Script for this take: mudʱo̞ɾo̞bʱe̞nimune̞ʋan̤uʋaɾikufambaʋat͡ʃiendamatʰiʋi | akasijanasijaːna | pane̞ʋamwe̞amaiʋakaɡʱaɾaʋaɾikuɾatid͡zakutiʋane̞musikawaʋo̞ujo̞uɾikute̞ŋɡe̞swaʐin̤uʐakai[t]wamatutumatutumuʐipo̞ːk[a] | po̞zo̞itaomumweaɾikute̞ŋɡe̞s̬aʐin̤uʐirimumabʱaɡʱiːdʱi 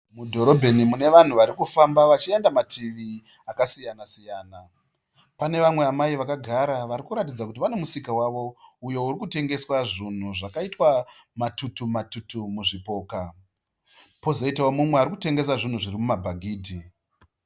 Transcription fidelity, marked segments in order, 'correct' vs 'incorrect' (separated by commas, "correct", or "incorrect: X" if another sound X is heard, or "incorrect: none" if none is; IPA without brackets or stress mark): correct, correct